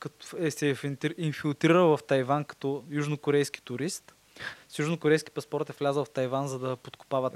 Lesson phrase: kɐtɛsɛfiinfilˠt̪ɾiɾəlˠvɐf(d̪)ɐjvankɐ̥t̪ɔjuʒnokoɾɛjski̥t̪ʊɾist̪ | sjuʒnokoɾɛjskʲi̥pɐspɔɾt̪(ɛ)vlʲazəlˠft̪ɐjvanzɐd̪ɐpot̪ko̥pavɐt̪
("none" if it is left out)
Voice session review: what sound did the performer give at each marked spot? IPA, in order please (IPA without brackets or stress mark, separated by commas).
t̪, ɛ